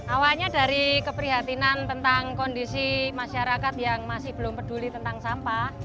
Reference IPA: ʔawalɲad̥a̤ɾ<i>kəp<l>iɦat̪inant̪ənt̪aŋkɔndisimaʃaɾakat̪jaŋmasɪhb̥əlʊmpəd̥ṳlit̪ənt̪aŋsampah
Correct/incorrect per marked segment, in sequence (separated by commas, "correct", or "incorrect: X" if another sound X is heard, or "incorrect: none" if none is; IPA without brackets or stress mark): correct, incorrect: ɾ